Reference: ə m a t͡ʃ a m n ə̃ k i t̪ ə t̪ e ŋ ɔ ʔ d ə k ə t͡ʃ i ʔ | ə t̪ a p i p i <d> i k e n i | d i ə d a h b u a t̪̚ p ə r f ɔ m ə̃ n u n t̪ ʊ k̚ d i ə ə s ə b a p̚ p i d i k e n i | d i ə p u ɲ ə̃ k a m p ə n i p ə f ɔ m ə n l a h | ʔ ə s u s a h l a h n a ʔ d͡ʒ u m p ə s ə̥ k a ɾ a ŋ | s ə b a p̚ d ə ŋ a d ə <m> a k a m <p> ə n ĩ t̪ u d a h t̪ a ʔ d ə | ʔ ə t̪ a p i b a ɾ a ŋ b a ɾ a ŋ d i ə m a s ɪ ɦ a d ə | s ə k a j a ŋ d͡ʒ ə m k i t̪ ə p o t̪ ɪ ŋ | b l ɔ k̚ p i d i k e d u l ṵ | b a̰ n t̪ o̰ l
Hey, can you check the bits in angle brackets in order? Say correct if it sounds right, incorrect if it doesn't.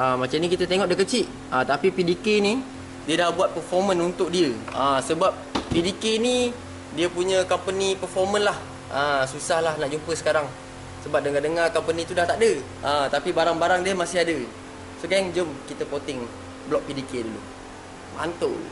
correct, incorrect: ŋ, correct

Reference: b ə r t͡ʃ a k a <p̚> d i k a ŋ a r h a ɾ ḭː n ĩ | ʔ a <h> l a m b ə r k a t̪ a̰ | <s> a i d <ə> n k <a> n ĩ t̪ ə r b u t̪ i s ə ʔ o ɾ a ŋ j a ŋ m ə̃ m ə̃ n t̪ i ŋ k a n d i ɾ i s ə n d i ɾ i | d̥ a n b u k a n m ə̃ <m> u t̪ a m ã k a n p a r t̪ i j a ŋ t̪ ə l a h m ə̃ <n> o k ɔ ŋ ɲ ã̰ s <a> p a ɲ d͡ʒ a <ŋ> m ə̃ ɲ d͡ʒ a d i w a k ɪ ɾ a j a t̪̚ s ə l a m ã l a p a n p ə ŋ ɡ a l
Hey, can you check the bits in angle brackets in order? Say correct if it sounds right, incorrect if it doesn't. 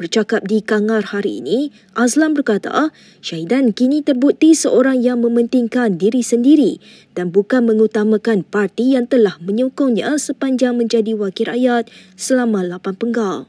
correct, incorrect: s, incorrect: ʃ, incorrect: a, incorrect: i, incorrect: ŋ, incorrect: ɲ, incorrect: ə, correct

